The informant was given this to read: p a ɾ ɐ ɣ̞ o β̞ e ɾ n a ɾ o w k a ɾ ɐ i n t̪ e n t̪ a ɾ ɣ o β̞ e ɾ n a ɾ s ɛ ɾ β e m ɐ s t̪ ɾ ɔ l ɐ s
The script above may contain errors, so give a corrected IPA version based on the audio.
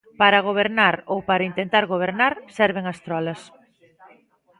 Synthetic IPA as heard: p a ɾ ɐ ɣ̞ o β̞ e ɾ n a ɾ o w p a ɾ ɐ i n t̪ e n t̪ a ɾ ɣ o β̞ e ɾ n a ɾ s ɛ ɾ β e ŋ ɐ s t̪ ɾ ɔ l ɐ s